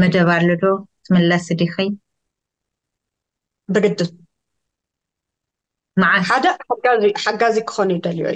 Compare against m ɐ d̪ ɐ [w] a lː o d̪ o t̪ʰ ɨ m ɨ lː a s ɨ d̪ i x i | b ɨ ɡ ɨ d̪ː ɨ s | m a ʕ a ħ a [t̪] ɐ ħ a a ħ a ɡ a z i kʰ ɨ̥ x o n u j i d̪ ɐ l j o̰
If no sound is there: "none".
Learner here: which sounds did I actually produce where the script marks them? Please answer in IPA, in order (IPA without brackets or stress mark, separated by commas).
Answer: β, d̪